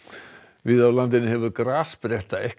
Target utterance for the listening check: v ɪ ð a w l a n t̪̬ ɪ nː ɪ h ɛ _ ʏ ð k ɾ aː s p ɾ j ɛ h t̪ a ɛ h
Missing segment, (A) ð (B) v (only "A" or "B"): B